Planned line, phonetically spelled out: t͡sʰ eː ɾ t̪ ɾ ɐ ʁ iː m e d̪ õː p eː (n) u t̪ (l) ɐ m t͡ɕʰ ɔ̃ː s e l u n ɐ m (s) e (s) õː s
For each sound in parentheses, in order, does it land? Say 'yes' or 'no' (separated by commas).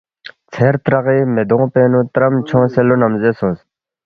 yes, no, no, yes